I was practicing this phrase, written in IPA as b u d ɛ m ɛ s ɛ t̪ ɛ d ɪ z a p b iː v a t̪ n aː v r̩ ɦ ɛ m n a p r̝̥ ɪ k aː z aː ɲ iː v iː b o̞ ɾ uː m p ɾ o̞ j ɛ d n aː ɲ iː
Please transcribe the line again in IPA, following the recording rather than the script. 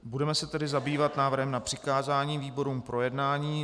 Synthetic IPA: b u d ɛ m ɛ s ɛ t̪ ɛ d ɪ z a b iː v a t̪ n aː v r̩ ɦ ɛ m n a p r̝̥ ɪ k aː z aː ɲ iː v iː b o̞ ɾ uː m p ɾ o̞ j ɛ d n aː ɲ iː